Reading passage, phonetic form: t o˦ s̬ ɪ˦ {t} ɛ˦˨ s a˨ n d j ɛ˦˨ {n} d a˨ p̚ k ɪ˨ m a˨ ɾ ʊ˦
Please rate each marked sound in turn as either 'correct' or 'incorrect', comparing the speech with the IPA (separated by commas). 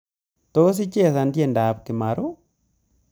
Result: incorrect, correct